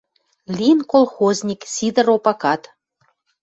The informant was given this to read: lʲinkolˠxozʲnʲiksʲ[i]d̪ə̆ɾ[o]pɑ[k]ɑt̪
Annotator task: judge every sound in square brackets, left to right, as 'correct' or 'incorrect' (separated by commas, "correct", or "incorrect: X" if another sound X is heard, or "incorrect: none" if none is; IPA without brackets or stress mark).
correct, correct, correct